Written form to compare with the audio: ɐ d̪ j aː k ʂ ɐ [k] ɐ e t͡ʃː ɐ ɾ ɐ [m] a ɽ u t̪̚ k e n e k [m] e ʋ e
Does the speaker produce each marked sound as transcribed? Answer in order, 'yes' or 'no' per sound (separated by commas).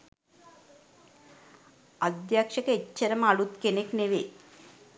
yes, yes, no